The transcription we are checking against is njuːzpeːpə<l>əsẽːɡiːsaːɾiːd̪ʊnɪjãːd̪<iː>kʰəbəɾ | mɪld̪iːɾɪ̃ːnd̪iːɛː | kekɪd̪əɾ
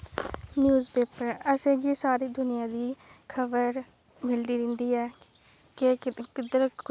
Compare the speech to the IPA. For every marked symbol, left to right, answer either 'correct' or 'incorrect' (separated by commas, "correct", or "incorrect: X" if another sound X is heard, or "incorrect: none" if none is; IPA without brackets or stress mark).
incorrect: ɾ, correct